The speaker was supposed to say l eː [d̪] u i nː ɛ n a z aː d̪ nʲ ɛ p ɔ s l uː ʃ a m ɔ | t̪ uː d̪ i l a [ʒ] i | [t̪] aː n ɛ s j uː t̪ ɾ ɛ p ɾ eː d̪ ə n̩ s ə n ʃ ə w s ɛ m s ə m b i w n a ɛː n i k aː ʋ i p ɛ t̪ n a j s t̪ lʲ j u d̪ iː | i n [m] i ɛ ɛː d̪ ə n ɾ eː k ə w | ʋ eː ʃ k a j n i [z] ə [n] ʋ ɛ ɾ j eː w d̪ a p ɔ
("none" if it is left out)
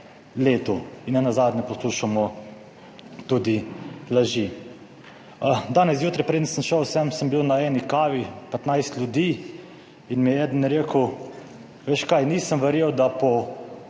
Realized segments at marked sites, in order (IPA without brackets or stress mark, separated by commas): t̪, ʒ, d̪, m, s, m